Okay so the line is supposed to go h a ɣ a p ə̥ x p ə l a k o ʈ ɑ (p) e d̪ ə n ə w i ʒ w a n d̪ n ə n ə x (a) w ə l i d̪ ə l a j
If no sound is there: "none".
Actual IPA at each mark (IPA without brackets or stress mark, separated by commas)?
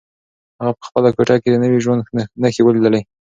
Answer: k, e